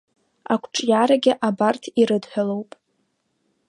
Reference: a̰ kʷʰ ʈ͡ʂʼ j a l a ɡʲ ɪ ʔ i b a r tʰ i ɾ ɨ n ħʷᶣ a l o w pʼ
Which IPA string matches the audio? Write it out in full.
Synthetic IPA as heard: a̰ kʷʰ ʈ͡ʂʼ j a ɾ a ɡʲ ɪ ʔ a b a r tʰ i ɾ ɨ d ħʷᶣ a l o w pʼ